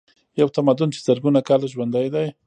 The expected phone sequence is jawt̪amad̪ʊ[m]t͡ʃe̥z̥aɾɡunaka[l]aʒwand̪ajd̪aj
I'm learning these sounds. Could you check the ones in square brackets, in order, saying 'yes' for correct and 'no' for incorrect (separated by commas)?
no, yes